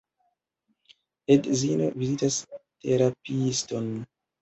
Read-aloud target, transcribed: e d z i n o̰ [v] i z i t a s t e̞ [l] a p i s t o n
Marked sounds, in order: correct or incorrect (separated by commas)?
correct, incorrect